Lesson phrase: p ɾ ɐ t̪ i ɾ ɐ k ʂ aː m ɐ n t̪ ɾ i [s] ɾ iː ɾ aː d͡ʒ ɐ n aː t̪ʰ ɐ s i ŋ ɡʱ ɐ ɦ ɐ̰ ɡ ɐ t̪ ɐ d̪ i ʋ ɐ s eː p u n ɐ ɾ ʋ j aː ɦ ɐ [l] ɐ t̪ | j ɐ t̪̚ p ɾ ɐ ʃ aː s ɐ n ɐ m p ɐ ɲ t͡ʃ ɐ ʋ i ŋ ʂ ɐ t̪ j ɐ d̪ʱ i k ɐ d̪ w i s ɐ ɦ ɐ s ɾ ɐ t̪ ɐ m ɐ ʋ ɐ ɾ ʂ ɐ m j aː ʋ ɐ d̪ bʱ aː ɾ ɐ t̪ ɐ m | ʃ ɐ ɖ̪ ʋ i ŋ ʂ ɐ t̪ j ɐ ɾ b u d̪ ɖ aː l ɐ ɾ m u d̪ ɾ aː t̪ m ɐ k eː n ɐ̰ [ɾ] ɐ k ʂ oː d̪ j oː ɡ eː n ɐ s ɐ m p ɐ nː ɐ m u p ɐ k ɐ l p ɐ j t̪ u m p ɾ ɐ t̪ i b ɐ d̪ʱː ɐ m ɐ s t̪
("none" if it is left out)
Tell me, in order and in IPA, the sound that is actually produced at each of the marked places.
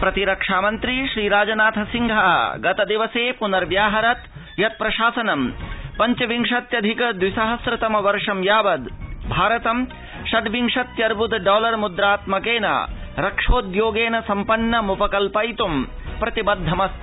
ʃ, ɾ, ɾ

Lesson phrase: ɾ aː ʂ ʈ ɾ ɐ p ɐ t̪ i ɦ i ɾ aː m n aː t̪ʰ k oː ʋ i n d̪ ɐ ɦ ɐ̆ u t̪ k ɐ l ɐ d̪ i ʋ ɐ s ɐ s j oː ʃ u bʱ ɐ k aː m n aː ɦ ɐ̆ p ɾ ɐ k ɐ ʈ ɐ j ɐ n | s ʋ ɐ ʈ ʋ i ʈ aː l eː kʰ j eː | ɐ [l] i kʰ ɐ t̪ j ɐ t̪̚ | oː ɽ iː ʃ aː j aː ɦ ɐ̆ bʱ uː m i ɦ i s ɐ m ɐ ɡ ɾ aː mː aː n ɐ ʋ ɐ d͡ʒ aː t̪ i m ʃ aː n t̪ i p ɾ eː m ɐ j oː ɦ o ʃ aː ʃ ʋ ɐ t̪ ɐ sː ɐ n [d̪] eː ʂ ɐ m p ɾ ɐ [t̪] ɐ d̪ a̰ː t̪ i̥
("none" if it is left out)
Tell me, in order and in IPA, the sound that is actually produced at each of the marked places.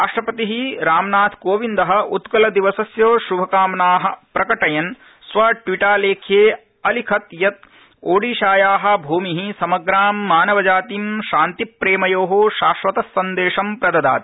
l, d̪, d̪

